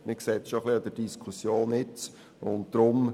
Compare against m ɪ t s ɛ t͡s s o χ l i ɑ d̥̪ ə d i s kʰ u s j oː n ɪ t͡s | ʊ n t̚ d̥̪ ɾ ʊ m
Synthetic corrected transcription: m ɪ k s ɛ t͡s ʃ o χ l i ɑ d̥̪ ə d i s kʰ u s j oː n ɪ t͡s | ʊ n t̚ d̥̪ ɾ ʊ m